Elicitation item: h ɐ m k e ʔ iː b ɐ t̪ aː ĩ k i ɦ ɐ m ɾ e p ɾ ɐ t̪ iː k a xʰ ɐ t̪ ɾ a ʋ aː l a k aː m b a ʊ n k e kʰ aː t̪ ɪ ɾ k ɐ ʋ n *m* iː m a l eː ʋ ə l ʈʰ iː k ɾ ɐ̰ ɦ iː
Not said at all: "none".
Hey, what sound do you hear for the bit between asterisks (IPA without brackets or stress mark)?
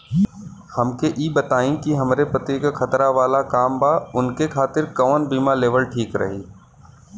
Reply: b